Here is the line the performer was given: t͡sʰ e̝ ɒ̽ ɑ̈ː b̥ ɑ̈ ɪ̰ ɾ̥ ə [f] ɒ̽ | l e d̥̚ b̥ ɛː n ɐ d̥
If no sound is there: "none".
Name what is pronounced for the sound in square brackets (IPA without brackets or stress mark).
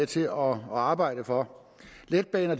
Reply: f